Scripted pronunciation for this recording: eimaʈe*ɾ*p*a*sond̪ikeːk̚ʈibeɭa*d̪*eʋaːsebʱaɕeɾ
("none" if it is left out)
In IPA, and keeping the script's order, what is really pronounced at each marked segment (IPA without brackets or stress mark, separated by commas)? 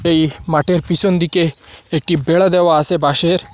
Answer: ɾ, i, d̪